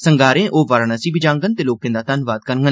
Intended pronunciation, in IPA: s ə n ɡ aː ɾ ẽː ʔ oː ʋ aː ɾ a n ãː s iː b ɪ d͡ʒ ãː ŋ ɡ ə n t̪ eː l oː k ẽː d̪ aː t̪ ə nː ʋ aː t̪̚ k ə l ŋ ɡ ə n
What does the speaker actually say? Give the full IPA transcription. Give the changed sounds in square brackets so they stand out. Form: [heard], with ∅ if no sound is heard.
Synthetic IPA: s ə [ŋ] ɡ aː ɾ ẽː ʔ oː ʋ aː ɾ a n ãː s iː b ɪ d͡ʒ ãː ŋ ɡ ə n t̪ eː l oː k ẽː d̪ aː t̪ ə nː ʋ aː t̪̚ k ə [ɾ] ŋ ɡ ə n